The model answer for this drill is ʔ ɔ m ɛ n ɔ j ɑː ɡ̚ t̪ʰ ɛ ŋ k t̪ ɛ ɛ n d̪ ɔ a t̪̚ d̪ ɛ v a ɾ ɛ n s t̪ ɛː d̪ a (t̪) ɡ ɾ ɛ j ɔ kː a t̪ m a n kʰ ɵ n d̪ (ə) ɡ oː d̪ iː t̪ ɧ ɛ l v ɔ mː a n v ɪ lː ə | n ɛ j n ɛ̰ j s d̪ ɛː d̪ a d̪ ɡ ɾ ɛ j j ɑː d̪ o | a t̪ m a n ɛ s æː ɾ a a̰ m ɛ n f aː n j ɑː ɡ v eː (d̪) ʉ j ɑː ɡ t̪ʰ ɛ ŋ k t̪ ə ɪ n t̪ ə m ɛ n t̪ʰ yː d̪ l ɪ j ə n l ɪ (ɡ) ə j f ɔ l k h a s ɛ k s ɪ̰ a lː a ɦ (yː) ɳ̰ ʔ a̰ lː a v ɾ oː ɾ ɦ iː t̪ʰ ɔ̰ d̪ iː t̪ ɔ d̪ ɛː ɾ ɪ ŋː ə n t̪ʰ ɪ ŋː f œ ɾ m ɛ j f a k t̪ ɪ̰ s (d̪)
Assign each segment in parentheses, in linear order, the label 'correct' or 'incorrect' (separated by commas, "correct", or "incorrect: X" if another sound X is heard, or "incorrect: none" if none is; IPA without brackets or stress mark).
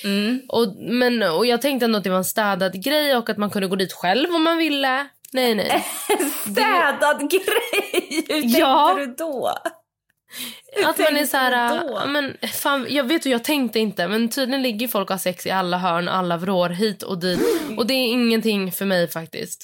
incorrect: d̪, correct, incorrect: t̪, incorrect: ɡː, incorrect: œː, incorrect: t̪